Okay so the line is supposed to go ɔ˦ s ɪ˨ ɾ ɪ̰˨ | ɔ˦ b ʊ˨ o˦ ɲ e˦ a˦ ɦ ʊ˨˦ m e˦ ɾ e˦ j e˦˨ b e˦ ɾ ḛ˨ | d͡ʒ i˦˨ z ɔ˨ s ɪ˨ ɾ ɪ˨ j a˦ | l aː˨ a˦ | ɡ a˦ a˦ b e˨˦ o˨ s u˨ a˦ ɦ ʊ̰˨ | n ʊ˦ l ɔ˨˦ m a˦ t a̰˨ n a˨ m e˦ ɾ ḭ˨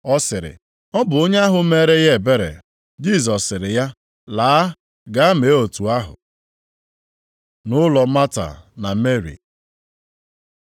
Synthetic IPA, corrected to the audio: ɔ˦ s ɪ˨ ɾ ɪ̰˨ | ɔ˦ b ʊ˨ o˦ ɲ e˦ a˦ ɦ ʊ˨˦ m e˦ ɾ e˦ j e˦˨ b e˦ ɾ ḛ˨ | d͡ʒ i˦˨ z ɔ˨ s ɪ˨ ɾ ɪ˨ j a˦ | l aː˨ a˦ | ɡ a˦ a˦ m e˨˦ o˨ t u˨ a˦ ɦ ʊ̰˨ | n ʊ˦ l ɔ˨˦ m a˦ t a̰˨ n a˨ m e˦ ɾ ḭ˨